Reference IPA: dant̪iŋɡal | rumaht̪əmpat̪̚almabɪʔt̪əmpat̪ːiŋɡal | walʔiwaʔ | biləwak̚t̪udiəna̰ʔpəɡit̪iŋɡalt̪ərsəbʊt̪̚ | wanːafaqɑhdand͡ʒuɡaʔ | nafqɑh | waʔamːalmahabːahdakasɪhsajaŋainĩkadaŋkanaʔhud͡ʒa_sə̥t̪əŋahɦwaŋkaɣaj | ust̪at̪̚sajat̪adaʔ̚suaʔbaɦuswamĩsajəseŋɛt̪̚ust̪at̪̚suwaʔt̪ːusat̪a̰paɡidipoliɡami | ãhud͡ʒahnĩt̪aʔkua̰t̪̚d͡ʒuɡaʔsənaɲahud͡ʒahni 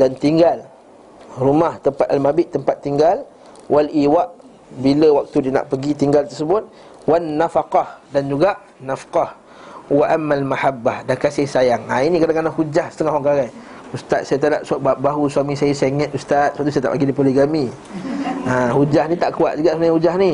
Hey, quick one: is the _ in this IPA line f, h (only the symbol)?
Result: h